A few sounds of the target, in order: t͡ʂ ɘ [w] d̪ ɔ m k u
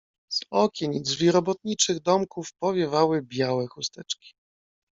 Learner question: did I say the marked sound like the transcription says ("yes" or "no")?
no